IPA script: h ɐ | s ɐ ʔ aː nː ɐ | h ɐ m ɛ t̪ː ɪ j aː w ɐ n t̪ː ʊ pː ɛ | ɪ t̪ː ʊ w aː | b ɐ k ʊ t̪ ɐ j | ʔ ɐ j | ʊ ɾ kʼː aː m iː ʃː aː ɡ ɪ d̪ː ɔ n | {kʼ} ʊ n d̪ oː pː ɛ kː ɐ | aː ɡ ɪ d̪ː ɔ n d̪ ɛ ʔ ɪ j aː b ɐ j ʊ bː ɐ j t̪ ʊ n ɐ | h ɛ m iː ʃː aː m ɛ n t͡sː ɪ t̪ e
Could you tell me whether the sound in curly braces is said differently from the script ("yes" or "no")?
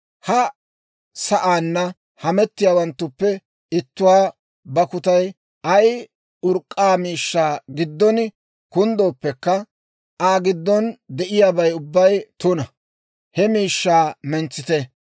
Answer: yes